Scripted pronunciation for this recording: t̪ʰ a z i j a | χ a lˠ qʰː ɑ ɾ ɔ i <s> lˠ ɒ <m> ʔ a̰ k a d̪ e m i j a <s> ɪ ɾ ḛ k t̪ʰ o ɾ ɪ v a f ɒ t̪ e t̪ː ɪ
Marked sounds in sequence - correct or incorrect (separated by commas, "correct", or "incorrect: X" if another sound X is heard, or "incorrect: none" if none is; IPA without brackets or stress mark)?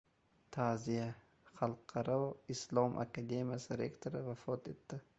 correct, correct, correct